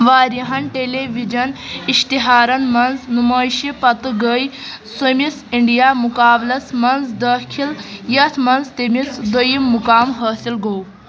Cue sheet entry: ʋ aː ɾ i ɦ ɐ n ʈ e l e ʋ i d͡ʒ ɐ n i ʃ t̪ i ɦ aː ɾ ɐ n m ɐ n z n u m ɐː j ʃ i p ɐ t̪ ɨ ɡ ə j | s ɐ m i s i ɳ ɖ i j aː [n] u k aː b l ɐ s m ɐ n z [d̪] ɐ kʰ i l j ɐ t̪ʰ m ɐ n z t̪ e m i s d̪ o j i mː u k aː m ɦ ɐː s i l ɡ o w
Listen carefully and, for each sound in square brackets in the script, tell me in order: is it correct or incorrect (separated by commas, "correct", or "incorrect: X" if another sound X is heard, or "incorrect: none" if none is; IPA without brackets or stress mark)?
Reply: incorrect: m, correct